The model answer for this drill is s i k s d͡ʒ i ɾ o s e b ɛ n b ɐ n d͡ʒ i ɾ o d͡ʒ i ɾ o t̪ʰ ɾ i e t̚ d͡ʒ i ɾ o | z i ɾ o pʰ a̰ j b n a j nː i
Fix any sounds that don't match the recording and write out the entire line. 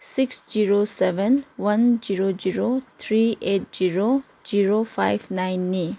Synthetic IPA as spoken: s i k s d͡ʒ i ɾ o s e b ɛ n w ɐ n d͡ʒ i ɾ o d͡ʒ i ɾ o t̪ʰ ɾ i e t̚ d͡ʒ i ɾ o | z i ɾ o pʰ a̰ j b n a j nː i